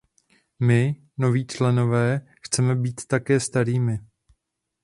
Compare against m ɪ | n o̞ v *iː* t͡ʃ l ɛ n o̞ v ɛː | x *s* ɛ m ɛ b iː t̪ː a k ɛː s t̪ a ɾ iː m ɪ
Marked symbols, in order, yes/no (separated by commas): yes, no